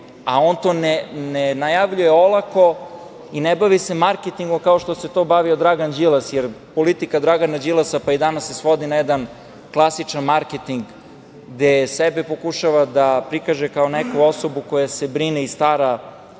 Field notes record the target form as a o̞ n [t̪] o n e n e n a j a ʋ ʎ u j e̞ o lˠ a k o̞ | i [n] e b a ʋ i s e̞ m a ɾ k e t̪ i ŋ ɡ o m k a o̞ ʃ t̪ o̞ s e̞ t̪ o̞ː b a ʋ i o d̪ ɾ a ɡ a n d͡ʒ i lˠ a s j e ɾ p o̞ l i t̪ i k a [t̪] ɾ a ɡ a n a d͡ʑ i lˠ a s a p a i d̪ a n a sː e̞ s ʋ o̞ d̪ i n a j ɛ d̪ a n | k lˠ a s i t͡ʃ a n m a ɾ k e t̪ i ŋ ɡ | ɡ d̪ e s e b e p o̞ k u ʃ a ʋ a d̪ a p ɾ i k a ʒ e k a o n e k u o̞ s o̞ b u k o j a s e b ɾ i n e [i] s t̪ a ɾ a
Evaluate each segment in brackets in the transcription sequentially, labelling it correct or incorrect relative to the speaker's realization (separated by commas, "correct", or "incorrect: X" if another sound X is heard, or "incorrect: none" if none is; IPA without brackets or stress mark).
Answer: correct, correct, incorrect: d̪, correct